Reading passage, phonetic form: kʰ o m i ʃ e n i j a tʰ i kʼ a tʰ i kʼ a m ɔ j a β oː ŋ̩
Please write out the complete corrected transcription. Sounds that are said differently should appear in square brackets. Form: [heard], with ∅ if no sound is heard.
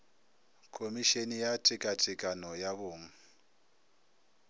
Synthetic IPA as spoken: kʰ o m i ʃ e n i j a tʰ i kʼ a tʰ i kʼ a [n] ɔ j a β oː ŋ̩